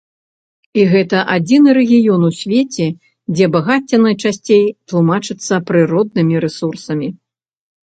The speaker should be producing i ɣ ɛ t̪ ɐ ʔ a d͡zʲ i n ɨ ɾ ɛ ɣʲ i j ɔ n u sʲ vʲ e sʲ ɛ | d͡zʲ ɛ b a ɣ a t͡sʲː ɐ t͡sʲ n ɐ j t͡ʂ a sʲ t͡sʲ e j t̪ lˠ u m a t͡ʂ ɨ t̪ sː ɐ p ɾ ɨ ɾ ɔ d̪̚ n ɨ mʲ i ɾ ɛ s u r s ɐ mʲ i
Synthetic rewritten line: i ɣ ɛ t̪ ɐ ʔ a d͡zʲ i n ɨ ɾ ɛ ɣʲ i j ɔ n u sʲ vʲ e t͡sʲ ɛ | d͡zʲ ɛ b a ɣ a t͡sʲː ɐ n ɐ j t͡ʂ a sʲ t͡sʲ e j t̪ lˠ u m a t͡ʂ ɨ t̪ sː ɐ p ɾ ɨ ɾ ɔ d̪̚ n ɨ mʲ i ɾ ɛ s u r s ɐ mʲ i